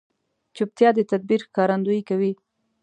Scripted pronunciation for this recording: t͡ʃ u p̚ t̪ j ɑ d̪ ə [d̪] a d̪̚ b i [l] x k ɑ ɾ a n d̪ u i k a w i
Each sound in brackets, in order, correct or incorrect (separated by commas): incorrect, incorrect